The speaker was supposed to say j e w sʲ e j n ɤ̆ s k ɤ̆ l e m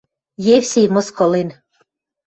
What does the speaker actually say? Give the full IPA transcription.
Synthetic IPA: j e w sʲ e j m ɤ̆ s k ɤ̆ l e n